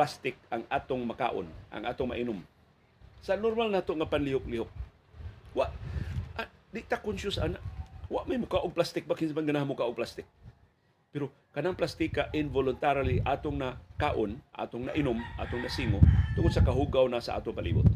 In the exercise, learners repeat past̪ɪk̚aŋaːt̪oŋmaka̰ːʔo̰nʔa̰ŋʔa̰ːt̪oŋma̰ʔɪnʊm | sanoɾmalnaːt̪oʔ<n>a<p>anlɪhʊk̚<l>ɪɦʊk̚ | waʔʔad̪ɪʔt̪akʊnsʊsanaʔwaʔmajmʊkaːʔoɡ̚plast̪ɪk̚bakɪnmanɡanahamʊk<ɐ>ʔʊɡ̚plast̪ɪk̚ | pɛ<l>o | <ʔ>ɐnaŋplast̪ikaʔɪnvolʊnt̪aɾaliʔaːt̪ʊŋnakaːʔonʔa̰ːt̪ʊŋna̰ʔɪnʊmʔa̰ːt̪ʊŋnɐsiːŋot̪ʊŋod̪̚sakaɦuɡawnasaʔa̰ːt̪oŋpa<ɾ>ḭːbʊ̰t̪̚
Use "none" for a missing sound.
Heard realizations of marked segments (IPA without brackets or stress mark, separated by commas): ŋ, p, l, a, ɾ, k, l